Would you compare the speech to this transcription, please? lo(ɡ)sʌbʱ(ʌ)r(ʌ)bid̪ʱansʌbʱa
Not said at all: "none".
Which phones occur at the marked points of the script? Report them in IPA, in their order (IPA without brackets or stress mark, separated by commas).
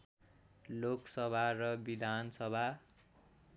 k, a, ʌ